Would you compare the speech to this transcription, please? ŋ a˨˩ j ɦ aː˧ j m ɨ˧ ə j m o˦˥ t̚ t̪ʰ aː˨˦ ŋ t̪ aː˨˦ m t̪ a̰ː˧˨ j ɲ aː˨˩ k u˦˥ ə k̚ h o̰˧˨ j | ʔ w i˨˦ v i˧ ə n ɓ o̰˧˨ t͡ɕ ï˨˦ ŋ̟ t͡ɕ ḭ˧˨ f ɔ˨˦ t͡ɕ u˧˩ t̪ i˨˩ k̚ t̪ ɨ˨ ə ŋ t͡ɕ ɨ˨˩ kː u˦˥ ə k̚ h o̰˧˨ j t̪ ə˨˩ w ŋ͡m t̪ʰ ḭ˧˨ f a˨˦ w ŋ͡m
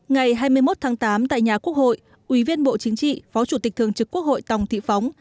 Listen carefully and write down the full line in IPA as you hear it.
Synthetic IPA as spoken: ŋ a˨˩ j ɦ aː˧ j m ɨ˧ ə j m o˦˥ t̚ t̪ʰ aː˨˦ ŋ t̪ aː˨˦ m t̪ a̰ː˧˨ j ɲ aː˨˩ k u˦˥ ə k̚ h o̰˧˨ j | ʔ w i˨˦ v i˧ ə n ɓ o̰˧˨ t͡ɕ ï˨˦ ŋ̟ t͡ɕ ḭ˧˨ f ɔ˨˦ t͡ɕ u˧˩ t̪ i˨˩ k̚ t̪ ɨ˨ ə ŋ t͡ɕ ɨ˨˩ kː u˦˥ ə k̚ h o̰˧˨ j t̪ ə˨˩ w ŋ͡m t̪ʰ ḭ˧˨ f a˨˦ w ŋ͡m